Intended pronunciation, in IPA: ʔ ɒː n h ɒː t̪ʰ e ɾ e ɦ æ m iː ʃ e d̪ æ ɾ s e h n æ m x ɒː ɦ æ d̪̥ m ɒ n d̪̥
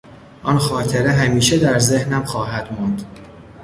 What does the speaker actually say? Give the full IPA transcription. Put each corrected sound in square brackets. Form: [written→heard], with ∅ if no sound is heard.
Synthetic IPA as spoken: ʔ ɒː n [h→x] ɒː t̪ʰ e ɾ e ɦ æ m iː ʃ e d̪ æ ɾ [s→z] e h n æ m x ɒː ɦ æ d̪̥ m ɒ n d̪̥